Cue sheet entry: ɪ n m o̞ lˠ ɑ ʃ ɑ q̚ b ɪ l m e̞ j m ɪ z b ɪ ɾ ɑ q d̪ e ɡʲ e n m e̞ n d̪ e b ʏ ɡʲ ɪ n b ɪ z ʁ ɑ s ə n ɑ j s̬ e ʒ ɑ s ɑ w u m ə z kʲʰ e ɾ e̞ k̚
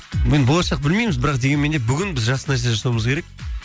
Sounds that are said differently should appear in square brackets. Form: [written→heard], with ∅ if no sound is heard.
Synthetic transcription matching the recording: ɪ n [m→b] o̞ lˠ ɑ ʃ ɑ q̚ b ɪ l m e̞ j m ɪ z b ɪ ɾ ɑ q d̪ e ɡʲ e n m e̞ n d̪ e b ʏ ɡʲ ɪ n b ɪ z [ʁ→ʒ] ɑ s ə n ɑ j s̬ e ʒ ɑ s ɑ w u m ə z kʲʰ e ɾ e̞ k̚